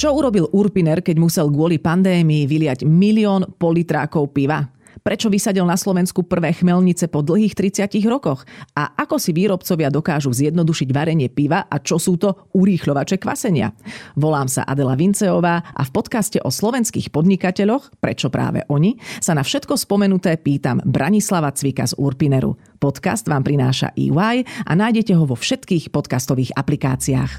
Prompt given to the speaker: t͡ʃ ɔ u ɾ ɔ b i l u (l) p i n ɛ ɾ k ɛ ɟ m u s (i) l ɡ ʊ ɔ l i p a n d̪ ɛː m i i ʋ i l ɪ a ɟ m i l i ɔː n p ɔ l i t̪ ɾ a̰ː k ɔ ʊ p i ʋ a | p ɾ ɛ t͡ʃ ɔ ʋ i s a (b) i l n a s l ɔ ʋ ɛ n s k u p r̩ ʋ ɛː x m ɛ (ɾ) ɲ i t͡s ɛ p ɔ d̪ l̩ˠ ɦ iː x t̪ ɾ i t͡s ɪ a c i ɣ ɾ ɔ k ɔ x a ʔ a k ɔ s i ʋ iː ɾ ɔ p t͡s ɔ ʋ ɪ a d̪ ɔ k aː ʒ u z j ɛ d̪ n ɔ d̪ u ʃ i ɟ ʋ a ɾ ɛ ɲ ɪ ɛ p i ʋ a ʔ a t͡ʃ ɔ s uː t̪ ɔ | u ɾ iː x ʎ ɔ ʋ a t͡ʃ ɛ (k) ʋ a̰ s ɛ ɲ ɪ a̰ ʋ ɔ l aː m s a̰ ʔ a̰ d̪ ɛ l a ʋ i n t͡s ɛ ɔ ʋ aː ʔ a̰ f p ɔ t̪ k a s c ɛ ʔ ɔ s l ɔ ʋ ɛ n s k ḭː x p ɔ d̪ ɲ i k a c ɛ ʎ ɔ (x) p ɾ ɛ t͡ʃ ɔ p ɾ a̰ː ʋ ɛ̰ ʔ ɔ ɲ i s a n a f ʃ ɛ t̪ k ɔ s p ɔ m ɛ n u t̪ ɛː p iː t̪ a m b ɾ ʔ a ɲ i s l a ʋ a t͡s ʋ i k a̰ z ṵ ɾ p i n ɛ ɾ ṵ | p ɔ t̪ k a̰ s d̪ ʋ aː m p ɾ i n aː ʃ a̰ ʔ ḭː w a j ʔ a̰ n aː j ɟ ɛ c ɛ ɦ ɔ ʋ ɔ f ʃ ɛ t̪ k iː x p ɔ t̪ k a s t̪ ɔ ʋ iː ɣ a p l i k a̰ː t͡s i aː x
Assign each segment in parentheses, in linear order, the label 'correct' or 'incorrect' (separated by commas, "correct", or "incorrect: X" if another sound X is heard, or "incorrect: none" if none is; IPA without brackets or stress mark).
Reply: incorrect: ɾ, incorrect: ɛ, incorrect: ɟ, incorrect: l, correct, correct